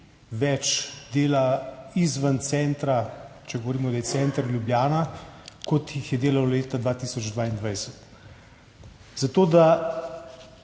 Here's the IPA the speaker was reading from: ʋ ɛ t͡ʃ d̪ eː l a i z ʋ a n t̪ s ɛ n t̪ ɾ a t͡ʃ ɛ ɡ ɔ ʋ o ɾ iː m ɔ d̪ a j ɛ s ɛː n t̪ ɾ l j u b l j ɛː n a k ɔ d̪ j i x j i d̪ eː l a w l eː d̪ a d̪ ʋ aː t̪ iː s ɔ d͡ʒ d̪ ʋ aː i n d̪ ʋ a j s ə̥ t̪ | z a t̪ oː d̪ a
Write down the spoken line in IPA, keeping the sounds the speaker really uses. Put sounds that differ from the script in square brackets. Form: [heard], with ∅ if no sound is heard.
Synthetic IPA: ʋ ɛ t͡ʃ d̪ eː l a i z ʋ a n t̪ s ɛ n t̪ ɾ a t͡ʃ ɛ ɡ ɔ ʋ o ɾ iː m ɔ d̪ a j ɛ s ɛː n t̪ ɾ l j u b l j [aː] n a k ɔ [t̪] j i x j [ɛ] d̪ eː l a w l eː [t̪] a d̪ ʋ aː t̪ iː s ɔ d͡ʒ d̪ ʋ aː i n d̪ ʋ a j s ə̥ t̪ | z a t̪ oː d̪ a